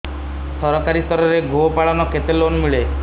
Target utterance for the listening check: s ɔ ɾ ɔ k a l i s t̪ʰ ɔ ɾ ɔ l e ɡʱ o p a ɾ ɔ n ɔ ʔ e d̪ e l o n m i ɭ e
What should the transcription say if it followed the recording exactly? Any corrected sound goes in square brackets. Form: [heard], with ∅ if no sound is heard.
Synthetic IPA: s ɔ ɾ ɔ k a [ɾ] i s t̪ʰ ɔ ɾ ɔ [ɾ] e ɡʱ o p a [ɭ] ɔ n ɔ [k] e [t̪] e l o n m i ɭ e